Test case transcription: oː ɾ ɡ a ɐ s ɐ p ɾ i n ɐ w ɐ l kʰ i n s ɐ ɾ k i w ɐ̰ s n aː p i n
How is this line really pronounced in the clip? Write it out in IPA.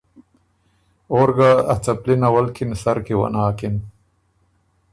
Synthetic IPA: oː ɾ ɡ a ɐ t͡s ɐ p l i n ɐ w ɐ l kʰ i n s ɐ ɾ k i w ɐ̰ n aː k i n